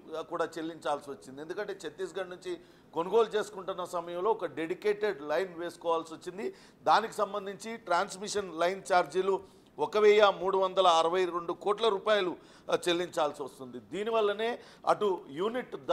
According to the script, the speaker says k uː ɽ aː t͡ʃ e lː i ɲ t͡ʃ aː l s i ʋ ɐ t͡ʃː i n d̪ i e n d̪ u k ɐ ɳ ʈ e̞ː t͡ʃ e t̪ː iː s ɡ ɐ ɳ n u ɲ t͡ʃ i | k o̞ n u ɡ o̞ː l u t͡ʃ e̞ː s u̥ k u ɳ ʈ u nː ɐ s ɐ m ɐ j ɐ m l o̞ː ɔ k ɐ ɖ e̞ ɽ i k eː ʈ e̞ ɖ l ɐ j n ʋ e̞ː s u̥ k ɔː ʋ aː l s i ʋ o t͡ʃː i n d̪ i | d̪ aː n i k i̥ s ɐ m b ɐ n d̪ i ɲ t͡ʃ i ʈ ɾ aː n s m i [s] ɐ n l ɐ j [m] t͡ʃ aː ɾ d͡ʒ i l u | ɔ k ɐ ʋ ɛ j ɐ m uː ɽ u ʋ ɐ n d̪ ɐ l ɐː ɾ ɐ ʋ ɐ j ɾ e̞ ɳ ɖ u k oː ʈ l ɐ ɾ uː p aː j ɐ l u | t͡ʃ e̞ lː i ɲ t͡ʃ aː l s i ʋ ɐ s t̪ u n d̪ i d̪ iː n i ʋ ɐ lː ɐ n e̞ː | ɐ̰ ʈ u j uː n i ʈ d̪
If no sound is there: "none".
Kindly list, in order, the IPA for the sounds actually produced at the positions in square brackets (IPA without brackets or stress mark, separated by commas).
ʂ, n